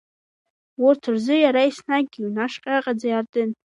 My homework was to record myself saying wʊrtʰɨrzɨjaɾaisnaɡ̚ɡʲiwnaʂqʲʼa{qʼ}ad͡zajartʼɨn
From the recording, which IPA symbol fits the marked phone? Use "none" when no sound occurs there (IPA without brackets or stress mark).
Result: qʼ